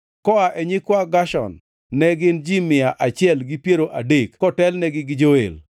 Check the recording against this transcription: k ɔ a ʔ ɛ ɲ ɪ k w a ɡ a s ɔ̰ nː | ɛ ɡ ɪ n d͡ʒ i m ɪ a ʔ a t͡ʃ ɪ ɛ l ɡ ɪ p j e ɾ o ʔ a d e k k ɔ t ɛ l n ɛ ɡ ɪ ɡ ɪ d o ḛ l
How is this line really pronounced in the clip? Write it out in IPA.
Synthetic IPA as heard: k ɔ a ʔ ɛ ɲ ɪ k w a ɡ a ʃ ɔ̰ nː | ɛ ɡ ɪ n d͡ʒ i m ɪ a ʔ a t͡ʃ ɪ ɛ l ɡ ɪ p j e ɾ o ʔ a d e k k ɔ t ɛ l n ɛ ɡ ɪ ɡ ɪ d͡ʒ o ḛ l